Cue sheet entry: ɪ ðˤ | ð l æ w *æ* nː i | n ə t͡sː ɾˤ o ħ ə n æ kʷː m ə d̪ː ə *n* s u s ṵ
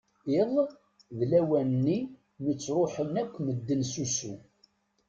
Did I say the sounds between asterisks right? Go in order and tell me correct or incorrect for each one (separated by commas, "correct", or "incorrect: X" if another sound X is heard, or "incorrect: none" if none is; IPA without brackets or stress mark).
correct, correct